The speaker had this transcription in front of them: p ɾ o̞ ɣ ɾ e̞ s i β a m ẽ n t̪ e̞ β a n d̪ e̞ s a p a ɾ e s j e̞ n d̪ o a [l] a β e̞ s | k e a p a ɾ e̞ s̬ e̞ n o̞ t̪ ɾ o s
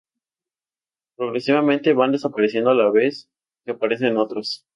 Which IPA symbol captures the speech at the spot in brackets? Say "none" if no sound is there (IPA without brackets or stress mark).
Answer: l